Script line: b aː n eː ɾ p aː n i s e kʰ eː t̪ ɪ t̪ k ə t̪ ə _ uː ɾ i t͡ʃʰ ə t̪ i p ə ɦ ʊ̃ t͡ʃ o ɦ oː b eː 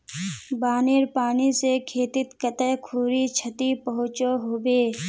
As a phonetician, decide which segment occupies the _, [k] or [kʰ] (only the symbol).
kʰ